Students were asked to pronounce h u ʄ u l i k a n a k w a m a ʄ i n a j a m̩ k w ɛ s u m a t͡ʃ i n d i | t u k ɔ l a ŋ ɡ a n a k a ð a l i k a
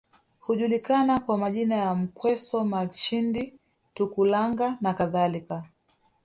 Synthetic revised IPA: h u ʄ u l i k a n a k w a m a ʄ i n a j a m̩ k w ɛ s ɔ m a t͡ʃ i n d i | t u k u l a ŋ ɡ a n a k a ð a l i k a